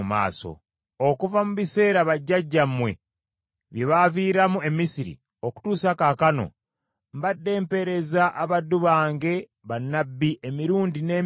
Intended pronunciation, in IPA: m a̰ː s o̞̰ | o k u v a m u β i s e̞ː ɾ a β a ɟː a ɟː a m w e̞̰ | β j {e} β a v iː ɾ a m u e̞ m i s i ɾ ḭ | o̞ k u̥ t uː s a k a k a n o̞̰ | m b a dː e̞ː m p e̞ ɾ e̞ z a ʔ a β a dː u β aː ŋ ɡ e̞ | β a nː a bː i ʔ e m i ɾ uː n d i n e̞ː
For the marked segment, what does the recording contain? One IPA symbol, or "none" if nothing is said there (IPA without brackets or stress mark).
e